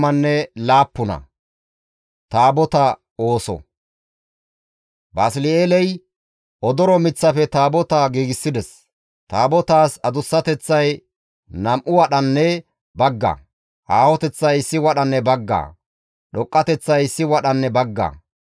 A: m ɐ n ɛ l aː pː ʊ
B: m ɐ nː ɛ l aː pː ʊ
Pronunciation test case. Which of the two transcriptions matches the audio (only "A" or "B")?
B